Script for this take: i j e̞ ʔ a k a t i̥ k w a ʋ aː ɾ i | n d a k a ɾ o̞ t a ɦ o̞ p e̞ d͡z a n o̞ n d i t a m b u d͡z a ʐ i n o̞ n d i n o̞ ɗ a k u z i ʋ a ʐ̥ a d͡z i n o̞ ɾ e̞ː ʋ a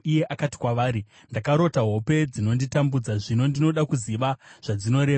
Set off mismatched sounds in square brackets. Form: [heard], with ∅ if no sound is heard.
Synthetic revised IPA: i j e̞ ʔ a k a t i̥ k w a ʋ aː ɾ i | n d a k a ɾ o̞ t a ɦ o̞ p e̞ d͡z [i] n o̞ n d i t a m b u d͡z a ʐ i n o̞ n d i n o̞ ɗ a k u z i ʋ a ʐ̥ a d͡z i n o̞ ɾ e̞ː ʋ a